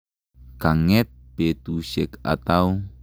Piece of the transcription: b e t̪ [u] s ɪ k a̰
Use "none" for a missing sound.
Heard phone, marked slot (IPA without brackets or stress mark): u